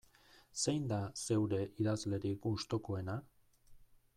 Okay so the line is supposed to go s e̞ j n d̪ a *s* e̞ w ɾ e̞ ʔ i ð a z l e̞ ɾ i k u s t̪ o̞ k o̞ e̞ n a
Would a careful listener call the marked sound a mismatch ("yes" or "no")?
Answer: no